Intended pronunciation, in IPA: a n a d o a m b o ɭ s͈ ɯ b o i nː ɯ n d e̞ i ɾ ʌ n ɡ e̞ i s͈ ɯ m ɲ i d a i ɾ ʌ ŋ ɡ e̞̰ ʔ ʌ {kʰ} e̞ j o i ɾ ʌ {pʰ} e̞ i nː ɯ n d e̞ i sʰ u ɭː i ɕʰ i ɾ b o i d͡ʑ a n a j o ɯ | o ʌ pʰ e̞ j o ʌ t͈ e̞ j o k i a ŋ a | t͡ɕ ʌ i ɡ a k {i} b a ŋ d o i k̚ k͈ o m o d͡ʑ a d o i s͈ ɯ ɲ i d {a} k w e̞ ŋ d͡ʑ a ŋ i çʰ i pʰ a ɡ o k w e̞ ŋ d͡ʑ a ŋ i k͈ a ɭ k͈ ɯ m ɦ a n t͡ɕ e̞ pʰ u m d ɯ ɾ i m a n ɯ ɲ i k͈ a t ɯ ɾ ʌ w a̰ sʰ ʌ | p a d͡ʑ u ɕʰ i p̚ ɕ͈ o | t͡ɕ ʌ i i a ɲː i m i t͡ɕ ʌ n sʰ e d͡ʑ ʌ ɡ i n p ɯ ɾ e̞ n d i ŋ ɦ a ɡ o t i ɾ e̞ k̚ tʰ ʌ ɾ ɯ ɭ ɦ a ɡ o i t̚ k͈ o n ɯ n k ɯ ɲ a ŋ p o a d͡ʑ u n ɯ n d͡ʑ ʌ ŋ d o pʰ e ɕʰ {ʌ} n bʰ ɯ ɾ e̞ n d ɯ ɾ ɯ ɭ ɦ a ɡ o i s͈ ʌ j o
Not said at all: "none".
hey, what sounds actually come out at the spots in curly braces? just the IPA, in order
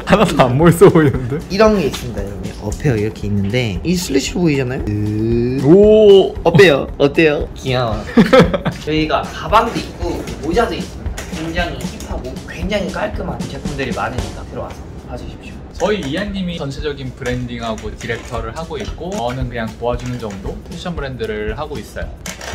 pʰ, kʰ, a, a, ʌ

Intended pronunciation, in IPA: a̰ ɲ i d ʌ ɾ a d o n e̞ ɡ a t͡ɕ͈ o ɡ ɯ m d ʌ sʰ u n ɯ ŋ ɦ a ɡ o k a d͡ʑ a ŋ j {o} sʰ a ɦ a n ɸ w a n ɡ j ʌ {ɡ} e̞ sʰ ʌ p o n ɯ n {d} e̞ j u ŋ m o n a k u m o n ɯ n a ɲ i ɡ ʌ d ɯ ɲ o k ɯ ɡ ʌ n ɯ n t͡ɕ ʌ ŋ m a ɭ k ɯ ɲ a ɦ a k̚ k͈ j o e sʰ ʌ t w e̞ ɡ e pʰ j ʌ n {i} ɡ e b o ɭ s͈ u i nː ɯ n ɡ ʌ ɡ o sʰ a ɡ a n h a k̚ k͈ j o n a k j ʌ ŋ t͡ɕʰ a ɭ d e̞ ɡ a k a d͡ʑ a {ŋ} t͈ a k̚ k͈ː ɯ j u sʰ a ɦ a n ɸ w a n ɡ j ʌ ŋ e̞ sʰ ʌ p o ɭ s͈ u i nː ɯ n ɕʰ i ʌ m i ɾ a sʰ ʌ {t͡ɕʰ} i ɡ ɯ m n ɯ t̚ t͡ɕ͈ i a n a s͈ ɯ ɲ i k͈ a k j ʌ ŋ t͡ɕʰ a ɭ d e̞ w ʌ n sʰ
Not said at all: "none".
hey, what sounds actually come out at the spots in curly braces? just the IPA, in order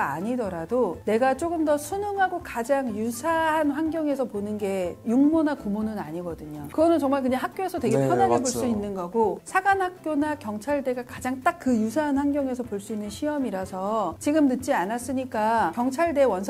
u, ŋ, ɡ, a, ŋ, t͡ɕ

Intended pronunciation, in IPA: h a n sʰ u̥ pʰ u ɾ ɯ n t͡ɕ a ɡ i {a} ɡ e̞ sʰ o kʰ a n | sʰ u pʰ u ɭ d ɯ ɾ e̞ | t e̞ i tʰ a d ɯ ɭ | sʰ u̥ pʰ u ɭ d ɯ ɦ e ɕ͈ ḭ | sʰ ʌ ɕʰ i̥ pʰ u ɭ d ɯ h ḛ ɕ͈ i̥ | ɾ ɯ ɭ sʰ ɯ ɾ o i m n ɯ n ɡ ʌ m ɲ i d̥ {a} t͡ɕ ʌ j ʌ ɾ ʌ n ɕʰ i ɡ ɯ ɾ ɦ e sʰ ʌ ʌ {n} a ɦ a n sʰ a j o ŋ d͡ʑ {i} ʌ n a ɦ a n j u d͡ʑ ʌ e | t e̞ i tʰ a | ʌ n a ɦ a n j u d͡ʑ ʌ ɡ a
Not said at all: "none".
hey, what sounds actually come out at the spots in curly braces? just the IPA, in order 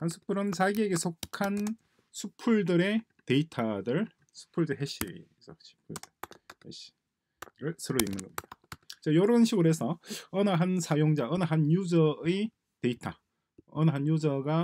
e, a, n, a

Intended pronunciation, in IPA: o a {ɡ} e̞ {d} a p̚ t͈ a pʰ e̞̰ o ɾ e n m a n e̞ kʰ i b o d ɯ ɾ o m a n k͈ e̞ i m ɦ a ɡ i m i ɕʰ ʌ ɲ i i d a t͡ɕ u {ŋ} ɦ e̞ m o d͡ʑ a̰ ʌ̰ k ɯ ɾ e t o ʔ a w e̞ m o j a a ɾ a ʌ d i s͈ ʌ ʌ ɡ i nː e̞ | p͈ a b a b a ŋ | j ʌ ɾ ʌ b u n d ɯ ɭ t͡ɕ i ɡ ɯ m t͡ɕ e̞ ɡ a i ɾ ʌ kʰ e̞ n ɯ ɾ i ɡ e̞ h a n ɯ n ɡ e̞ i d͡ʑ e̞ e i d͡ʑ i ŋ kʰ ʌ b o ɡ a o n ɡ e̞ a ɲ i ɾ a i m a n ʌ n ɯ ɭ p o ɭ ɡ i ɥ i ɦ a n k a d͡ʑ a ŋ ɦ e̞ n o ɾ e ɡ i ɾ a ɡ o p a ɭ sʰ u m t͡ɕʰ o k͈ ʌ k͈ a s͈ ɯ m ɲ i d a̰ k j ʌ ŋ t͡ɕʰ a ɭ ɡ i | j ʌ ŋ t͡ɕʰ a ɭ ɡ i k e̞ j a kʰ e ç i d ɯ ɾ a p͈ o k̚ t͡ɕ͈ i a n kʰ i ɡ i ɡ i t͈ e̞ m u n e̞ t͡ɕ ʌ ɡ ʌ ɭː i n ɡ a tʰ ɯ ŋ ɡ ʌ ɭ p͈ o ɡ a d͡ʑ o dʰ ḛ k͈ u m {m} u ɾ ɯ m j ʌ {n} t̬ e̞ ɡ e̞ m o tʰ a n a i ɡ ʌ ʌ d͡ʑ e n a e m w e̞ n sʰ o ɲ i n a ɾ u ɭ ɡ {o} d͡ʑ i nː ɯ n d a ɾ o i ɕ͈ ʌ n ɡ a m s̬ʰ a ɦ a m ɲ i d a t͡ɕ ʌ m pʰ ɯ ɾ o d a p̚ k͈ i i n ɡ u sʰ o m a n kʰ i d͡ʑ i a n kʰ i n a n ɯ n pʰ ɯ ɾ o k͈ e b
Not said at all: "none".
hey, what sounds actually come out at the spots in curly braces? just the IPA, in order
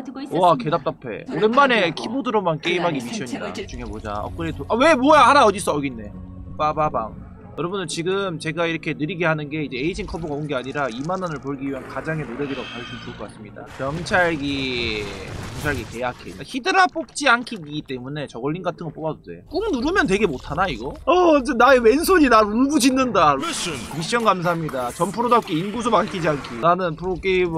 k, d, ŋ, n, n, u

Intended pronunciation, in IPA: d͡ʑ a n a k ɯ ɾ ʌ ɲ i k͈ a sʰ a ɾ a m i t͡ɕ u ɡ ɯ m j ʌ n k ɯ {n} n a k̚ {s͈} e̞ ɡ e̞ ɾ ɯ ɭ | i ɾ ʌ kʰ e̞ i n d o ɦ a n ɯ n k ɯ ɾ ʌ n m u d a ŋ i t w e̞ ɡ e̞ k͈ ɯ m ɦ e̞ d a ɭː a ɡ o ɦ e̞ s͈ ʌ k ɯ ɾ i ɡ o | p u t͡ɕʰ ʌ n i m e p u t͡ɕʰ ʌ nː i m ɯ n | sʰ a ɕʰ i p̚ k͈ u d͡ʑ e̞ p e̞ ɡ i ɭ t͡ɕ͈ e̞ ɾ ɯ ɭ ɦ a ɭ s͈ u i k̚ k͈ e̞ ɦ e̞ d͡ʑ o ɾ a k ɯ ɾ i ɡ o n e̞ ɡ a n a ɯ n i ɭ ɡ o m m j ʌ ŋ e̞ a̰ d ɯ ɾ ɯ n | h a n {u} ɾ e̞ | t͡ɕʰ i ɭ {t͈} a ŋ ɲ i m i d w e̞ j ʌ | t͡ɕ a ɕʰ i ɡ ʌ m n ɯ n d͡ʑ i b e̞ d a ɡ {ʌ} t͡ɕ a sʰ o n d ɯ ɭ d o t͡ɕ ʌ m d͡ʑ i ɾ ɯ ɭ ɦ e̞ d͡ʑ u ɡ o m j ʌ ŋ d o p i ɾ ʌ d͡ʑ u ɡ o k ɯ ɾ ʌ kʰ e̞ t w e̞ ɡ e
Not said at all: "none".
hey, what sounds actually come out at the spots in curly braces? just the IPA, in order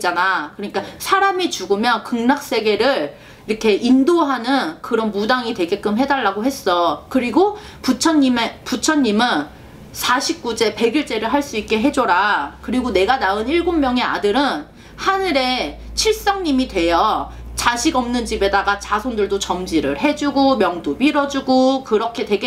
ŋ, s͈, ɯ, s͈, a

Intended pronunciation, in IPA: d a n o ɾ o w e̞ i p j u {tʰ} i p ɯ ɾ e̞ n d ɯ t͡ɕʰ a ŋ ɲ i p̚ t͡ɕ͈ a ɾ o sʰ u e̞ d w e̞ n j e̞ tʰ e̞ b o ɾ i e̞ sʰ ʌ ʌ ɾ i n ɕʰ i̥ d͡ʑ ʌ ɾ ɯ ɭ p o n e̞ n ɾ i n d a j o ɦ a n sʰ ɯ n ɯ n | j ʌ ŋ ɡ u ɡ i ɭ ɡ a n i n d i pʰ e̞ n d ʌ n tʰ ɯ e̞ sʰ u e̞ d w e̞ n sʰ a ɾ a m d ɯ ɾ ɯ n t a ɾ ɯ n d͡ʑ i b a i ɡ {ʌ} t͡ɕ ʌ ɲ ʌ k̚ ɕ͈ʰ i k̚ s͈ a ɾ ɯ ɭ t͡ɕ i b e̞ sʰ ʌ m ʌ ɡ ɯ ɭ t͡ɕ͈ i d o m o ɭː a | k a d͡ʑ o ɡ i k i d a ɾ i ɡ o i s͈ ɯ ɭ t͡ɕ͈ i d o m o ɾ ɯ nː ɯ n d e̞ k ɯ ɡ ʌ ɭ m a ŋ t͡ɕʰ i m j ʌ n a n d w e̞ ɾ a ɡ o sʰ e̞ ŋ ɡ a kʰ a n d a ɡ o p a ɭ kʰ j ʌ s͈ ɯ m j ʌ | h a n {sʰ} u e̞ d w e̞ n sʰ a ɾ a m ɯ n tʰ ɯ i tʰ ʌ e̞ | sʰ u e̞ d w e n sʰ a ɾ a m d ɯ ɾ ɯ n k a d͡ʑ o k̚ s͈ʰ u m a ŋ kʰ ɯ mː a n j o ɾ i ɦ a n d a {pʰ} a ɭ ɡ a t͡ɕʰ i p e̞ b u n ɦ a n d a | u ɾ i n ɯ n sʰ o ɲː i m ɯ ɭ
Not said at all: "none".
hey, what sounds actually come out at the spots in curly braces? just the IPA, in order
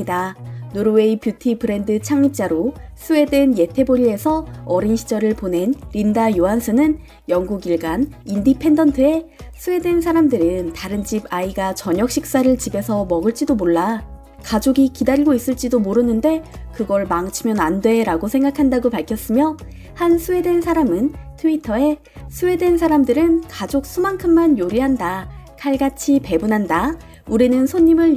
tʰ, a, sʰ, kʰ

